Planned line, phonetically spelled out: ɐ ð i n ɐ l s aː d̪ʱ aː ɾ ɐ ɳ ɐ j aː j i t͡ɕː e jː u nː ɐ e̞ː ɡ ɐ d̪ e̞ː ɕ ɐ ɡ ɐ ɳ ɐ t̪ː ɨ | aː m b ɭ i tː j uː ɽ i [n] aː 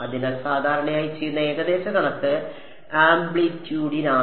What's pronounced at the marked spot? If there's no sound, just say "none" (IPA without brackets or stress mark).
n